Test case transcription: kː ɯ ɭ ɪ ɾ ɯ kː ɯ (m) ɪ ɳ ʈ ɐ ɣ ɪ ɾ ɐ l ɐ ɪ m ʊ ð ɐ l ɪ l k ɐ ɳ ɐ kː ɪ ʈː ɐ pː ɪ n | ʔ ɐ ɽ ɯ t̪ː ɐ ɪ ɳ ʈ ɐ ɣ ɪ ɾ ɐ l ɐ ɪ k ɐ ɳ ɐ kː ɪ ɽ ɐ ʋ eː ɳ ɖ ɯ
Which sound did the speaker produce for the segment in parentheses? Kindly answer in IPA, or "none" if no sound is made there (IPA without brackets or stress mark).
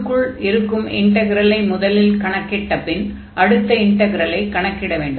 m